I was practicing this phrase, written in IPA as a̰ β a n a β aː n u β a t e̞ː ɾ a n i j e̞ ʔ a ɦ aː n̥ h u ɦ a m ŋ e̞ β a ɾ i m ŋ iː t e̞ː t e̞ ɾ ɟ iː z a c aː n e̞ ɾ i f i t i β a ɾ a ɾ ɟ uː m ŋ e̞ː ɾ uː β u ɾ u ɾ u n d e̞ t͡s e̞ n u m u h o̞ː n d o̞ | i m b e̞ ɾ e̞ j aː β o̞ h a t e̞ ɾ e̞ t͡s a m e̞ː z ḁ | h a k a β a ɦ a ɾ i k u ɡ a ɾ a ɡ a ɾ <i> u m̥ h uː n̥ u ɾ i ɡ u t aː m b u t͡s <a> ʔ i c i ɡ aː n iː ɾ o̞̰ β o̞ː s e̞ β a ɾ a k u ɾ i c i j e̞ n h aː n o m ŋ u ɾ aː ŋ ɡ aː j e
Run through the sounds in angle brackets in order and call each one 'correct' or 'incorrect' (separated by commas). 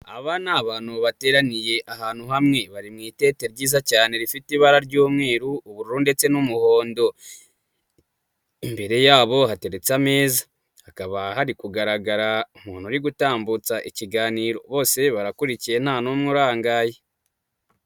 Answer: incorrect, correct